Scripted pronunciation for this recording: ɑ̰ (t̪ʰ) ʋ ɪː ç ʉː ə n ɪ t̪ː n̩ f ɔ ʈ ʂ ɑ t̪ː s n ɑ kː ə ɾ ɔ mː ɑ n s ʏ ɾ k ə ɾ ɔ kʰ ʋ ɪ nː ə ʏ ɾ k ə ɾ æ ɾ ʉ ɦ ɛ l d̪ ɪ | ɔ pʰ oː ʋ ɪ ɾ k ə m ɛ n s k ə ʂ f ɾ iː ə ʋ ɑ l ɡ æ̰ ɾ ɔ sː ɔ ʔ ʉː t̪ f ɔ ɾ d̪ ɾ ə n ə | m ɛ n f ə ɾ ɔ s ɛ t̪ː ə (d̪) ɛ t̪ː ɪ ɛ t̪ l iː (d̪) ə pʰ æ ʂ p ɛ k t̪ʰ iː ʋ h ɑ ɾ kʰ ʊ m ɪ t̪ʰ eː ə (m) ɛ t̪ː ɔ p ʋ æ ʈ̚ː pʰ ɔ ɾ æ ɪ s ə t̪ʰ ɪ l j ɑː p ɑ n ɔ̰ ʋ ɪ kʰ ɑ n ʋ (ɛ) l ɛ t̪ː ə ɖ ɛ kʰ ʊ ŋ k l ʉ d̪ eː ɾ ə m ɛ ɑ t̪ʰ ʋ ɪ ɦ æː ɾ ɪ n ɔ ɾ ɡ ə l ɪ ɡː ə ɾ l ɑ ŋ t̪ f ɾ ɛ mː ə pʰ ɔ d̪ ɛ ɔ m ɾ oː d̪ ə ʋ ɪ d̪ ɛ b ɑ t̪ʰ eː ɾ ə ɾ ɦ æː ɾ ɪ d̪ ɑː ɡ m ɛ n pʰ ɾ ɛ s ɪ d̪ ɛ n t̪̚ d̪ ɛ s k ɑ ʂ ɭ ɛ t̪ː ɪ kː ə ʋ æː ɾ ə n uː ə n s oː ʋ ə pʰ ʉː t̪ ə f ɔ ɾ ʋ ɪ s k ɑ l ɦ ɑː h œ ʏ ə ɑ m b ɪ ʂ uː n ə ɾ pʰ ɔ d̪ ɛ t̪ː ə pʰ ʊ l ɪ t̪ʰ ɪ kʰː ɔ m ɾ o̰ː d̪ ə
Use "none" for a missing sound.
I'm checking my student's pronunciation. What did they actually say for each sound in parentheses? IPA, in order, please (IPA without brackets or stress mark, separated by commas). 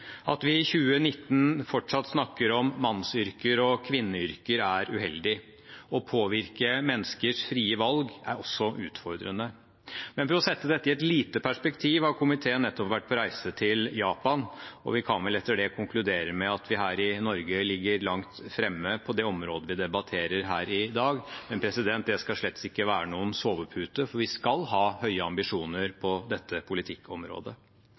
t̪, d̪, t̪, n, ɛ